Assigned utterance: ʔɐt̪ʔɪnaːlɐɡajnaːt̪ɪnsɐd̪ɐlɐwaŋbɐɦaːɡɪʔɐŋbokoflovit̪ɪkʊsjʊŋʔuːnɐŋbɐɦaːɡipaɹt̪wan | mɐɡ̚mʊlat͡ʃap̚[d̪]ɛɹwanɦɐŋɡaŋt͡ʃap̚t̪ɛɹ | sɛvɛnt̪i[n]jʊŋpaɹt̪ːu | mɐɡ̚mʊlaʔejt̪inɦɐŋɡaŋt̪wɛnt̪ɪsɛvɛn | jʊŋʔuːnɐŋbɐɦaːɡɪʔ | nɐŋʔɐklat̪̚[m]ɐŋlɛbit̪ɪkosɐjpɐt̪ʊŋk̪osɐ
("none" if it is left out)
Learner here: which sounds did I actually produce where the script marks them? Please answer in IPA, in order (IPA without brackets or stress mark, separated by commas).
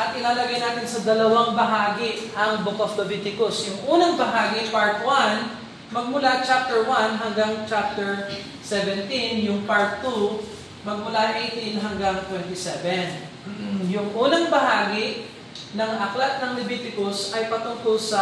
t̪, n, n